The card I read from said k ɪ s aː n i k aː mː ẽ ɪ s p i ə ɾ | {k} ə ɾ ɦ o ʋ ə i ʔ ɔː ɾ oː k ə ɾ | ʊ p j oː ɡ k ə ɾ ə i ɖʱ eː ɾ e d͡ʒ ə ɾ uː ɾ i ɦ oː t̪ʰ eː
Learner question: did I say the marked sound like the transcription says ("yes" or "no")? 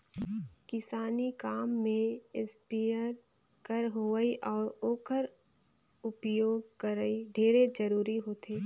yes